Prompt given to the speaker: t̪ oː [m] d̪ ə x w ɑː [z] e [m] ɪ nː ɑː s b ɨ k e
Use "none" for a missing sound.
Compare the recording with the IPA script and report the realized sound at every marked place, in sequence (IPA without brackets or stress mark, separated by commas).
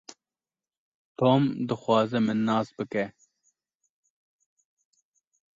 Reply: m, z, m